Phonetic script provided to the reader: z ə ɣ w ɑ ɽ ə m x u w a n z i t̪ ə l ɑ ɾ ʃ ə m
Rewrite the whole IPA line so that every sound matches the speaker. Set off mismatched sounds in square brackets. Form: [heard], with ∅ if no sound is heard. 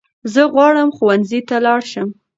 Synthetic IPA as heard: z ə ɣ w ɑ ɽ ə m x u w a n z i t̪ [a] l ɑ [ɽ] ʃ ə m